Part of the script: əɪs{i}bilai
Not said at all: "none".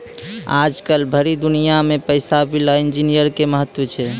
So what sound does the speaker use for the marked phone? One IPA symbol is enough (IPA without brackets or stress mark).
a